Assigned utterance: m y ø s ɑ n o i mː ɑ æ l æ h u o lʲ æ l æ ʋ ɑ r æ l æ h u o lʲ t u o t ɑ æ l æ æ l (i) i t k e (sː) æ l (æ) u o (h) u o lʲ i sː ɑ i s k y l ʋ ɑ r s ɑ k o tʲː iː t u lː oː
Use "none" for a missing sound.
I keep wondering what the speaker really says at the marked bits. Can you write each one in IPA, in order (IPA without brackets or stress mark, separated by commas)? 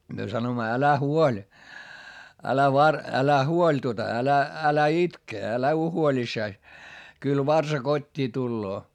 æ, none, æ, h